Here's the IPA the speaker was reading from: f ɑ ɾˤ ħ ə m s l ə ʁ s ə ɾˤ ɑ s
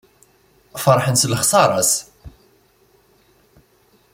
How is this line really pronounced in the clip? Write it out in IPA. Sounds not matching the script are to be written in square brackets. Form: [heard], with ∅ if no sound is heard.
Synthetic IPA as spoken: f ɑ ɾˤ ħ ə [n] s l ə [χ] s [ɑ] ɾˤ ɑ s

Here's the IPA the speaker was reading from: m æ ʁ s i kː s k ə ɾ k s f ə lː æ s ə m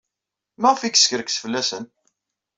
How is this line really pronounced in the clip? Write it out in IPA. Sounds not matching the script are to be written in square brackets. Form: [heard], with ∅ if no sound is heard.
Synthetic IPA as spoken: m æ ʁ [f] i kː s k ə ɾ k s f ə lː æ s ə [n]

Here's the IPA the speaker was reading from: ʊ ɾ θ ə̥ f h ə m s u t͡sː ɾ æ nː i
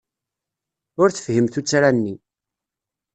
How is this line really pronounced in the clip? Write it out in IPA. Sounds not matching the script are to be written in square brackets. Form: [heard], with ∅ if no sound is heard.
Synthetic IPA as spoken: ʊ ɾ θ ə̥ f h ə m [θ] u t͡sː ɾ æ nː i

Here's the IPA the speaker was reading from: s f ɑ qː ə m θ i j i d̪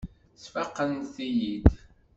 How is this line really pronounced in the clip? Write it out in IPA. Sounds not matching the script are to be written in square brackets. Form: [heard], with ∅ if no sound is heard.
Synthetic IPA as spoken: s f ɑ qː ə [n] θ i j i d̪

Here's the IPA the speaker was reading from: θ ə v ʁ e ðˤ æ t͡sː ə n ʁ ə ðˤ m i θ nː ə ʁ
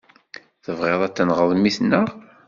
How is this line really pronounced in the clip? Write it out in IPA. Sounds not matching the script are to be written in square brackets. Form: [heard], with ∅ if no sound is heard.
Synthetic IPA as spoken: θ ə v ʁ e ðˤ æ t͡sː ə n ʁ ə ðˤ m i θ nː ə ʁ

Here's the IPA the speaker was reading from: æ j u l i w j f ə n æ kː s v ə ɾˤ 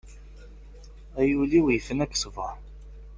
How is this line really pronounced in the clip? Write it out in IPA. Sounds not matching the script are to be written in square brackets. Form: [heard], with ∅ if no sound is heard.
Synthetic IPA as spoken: æ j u l i w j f ə n æ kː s v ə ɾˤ

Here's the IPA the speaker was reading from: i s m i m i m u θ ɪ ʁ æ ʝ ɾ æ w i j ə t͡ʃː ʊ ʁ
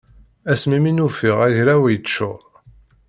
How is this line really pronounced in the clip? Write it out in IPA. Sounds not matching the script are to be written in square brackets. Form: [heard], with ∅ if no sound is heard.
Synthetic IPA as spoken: [æ] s m i m i [n] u [f] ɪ ʁ æ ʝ ɾ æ w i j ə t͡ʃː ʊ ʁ

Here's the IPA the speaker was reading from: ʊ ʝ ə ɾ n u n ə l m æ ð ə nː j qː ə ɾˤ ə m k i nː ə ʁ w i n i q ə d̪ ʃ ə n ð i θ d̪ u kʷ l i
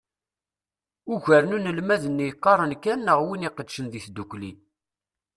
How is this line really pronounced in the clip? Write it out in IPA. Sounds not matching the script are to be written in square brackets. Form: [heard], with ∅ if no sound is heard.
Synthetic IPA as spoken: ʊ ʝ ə ɾ n u n ə l m æ ð ə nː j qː [ɑ] ɾˤ ə [n] k [æ] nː ə ʁ w i n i q ə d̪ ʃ ə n ð i θ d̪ u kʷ l i

